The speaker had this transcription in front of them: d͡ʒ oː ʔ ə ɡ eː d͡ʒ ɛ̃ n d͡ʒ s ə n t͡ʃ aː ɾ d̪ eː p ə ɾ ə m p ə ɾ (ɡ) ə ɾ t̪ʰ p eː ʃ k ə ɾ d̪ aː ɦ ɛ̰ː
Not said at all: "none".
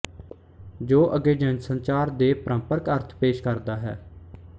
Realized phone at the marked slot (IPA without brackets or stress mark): k